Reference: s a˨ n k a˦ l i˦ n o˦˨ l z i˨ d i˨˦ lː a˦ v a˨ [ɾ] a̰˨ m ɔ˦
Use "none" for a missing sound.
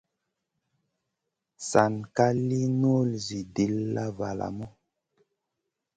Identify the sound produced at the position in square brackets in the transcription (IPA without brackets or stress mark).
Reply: l